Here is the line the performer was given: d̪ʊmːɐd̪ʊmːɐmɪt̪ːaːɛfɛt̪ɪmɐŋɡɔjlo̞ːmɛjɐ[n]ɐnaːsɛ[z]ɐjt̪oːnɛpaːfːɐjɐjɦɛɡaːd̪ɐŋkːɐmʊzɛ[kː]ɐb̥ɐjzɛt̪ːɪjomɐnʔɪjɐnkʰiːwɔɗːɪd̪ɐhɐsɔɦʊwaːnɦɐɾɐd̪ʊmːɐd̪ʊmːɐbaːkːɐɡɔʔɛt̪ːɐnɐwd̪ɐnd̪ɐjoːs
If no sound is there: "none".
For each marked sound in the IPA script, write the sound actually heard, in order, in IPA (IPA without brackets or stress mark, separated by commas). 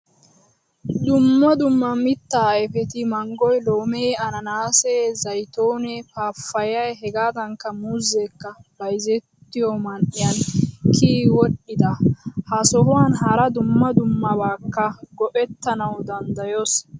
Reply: n, z, kː